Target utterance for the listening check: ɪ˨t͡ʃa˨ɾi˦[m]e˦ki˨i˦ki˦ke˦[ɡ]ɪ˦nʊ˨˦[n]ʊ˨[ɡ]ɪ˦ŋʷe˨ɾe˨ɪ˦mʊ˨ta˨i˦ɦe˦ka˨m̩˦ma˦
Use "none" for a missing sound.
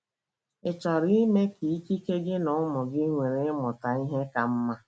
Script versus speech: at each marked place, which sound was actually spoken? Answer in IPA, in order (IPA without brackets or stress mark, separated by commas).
m, ɡ, m, ɡ